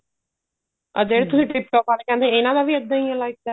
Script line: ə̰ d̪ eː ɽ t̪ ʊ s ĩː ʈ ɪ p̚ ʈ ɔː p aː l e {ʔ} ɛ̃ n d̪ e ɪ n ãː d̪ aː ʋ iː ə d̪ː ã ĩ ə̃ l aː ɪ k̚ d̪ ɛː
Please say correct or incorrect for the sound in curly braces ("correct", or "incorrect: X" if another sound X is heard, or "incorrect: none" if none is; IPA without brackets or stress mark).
incorrect: k